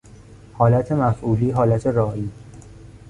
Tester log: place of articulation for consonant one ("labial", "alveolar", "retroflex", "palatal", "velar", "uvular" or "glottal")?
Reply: glottal